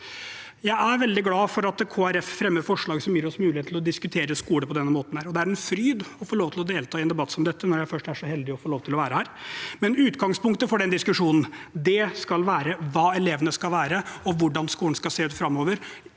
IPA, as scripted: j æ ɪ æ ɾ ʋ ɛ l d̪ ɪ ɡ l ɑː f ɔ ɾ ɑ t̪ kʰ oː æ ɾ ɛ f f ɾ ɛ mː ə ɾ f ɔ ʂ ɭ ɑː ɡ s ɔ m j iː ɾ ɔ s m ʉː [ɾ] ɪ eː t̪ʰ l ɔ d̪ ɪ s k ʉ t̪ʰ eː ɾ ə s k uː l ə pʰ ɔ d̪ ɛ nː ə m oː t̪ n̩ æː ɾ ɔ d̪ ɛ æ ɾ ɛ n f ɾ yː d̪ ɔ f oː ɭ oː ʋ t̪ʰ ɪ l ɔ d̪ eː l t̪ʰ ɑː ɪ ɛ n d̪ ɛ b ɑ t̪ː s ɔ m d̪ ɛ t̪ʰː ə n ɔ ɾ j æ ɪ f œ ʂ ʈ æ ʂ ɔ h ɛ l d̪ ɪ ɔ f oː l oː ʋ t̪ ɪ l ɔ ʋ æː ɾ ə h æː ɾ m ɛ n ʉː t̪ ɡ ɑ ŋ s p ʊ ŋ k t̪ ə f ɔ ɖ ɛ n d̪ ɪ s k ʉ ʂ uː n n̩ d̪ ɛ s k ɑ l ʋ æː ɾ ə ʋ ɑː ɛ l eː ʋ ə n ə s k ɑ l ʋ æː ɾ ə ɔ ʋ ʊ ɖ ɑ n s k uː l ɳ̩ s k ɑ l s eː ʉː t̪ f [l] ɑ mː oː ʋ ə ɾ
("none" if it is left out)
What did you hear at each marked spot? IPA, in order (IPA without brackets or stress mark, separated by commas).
l, ɾ